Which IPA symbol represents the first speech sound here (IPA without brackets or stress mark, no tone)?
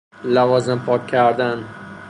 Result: l